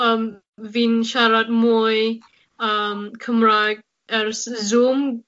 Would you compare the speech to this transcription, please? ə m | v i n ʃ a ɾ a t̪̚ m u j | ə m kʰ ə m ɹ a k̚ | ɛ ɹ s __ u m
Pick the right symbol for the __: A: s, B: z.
B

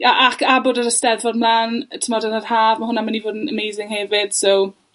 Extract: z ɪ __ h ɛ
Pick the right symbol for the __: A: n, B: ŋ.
B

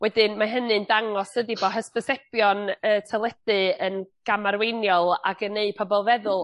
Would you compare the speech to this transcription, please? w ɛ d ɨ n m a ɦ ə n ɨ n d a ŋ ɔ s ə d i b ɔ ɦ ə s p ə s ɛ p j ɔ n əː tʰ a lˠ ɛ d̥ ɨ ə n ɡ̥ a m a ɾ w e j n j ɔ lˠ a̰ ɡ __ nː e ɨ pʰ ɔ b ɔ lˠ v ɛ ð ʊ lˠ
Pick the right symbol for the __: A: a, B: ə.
B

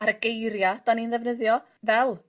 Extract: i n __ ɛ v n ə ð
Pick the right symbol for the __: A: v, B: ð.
B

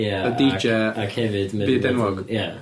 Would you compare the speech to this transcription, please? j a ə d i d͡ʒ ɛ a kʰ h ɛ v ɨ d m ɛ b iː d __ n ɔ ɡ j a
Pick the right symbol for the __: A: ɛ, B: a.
A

